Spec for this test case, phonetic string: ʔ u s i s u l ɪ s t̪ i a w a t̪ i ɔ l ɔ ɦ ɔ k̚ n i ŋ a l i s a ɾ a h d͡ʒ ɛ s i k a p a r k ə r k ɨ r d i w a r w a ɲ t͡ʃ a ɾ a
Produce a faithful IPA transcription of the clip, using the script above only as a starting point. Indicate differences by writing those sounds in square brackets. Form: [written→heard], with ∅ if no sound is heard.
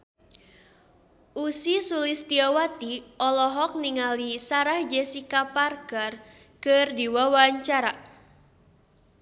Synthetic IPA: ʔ u s i s u l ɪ s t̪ i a w a t̪ i ɔ l ɔ ɦ ɔ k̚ n i ŋ a l i s a ɾ a h d͡ʒ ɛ s i k a p a r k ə r k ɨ r d i w a [r→∅] w a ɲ t͡ʃ a ɾ a